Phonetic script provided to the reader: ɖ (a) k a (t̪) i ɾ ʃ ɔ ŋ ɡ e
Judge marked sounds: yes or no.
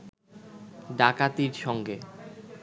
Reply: yes, yes

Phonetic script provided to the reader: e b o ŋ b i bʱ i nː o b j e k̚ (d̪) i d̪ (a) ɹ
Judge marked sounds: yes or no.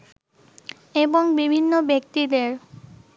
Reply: no, no

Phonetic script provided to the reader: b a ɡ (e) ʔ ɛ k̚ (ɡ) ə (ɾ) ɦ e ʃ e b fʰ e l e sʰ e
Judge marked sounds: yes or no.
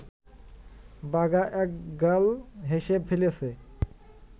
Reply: no, yes, no

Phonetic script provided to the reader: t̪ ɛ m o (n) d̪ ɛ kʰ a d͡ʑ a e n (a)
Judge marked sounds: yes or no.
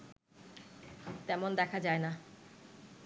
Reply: yes, yes

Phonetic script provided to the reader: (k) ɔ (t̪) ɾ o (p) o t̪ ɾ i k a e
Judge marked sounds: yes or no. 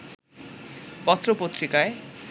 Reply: no, yes, yes

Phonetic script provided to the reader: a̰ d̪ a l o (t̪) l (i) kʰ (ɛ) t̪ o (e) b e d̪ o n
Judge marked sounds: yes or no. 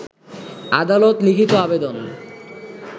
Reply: yes, yes, no, no

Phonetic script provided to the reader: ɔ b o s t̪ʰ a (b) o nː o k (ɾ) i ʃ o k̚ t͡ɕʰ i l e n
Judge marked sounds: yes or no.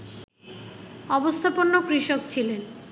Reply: no, yes

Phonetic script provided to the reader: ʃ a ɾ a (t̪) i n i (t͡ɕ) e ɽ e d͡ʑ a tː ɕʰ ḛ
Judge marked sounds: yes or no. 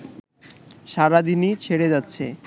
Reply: no, no

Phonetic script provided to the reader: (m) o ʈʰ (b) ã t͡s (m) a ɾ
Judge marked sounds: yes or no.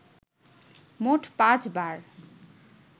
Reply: yes, no, no

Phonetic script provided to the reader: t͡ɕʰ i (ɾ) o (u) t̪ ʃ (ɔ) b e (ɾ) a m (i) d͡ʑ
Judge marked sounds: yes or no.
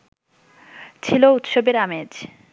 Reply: no, yes, no, yes, no

